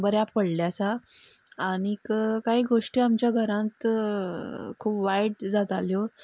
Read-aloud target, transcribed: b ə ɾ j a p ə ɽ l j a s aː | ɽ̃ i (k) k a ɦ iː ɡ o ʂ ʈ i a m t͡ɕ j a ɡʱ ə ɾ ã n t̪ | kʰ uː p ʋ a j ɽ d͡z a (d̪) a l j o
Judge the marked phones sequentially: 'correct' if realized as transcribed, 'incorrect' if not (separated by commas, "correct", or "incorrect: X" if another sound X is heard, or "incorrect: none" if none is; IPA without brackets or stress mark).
correct, incorrect: t̪